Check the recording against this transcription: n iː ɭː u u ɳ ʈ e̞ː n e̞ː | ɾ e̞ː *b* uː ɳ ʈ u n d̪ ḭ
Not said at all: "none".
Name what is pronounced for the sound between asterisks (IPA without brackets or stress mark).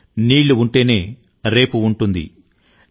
p